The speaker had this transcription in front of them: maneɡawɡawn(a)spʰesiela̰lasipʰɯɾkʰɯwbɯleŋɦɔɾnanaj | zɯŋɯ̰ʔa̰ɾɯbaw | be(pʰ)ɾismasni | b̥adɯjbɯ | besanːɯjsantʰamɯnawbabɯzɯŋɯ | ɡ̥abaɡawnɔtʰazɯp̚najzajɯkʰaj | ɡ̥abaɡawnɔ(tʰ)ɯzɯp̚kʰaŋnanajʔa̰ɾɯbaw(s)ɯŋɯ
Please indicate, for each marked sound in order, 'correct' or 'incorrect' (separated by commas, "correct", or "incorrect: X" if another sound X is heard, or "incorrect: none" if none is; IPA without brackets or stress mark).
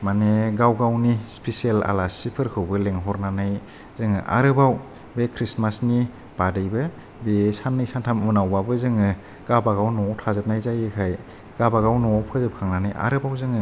incorrect: i, incorrect: kʰ, incorrect: pʰ, incorrect: z